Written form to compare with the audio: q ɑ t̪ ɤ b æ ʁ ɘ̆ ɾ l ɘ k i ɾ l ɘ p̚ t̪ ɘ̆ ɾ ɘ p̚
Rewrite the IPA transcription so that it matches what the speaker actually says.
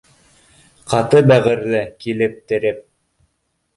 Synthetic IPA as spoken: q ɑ t̪ ɤ b æ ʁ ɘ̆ ɾ l ɘ k i l ɘ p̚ t̪ ɘ̆ ɾ ɘ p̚